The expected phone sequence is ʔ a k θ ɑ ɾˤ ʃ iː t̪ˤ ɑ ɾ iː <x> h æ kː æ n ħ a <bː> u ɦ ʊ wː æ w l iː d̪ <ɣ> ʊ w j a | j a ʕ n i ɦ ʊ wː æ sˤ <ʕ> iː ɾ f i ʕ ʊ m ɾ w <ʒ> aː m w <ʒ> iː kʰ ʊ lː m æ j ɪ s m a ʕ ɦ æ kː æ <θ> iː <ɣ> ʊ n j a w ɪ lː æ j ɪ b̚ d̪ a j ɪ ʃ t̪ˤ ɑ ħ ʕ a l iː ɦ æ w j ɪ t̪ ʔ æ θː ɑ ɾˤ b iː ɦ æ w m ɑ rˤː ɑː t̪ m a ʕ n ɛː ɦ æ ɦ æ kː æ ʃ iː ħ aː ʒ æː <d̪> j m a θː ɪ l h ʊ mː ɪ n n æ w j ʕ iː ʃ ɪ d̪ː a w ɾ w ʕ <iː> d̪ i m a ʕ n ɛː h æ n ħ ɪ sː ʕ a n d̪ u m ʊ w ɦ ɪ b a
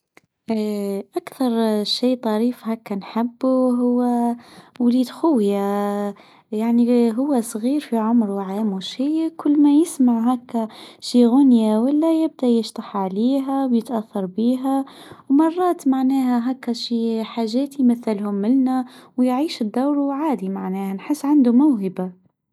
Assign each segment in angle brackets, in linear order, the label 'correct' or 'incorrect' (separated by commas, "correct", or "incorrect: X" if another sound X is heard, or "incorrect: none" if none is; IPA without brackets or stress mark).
incorrect: f, correct, incorrect: x, incorrect: ɣ, incorrect: ʕ, incorrect: ʃ, incorrect: ʃ, correct, incorrect: t̪, incorrect: aː